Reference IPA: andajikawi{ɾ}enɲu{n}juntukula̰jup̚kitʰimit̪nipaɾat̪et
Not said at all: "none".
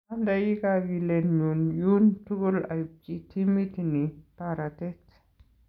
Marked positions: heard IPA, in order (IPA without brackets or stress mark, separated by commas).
l, n